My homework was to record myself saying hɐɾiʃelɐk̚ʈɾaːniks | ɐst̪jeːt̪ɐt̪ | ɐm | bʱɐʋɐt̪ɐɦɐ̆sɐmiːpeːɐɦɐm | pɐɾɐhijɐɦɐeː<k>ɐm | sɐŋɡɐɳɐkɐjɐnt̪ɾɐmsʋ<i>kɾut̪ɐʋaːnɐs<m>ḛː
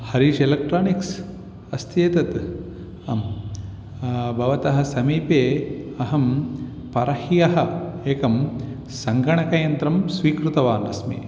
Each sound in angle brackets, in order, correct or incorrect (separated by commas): correct, incorrect, correct